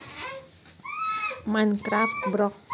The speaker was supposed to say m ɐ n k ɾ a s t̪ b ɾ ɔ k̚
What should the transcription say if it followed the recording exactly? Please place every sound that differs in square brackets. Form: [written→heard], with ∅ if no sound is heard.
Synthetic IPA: m [ɐ→a] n k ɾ a [s→f] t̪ b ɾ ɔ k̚